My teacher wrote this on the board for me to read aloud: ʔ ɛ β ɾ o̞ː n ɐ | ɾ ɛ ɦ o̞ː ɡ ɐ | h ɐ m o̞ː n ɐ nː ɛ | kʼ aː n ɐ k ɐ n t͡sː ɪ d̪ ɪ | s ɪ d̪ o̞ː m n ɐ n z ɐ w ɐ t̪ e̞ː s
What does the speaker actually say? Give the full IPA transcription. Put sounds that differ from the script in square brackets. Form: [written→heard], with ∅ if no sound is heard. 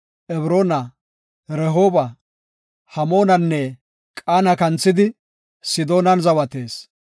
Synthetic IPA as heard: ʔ ɛ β ɾ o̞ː n ɐ | ɾ ɛ ɦ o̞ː [ɡ→b] ɐ | h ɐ m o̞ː n ɐ nː ɛ | kʼ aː n ɐ k ɐ n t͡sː ɪ d̪ ɪ | s ɪ d̪ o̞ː [m→∅] n ɐ n z ɐ w ɐ t̪ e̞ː s